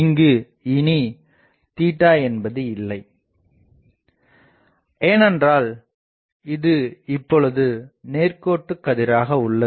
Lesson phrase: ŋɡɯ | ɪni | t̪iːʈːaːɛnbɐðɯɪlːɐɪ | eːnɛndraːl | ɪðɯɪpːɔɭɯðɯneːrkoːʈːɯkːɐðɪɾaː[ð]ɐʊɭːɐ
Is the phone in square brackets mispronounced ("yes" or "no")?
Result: yes